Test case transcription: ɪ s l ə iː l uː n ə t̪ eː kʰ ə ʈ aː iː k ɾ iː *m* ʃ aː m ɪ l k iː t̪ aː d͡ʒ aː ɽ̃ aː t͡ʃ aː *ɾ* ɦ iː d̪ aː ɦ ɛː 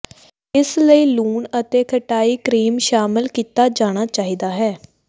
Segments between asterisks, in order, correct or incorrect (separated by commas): correct, incorrect